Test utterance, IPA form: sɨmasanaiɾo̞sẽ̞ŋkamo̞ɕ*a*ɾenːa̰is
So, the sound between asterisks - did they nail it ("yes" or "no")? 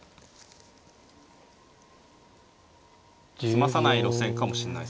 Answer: no